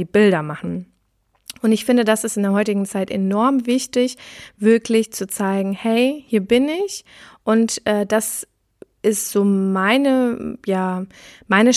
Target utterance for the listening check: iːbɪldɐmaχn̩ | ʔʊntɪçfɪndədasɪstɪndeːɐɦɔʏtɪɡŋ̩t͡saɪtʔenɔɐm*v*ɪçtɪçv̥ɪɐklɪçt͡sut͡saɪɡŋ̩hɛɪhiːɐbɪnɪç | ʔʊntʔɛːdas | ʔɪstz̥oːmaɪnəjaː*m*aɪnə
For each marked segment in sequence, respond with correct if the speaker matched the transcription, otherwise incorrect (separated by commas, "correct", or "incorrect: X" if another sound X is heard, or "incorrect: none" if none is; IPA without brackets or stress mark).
correct, correct